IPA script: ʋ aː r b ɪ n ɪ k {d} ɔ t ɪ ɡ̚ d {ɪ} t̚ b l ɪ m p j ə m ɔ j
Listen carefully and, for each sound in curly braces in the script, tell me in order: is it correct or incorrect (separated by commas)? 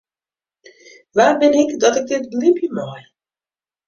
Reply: correct, correct